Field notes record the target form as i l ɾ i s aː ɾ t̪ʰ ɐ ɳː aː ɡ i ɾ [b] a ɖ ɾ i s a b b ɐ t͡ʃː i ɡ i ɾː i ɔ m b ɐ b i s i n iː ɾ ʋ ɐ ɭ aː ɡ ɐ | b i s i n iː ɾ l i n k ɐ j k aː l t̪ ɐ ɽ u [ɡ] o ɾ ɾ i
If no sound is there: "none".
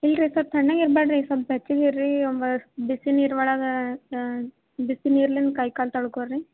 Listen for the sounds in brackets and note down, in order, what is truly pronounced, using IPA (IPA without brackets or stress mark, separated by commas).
b, k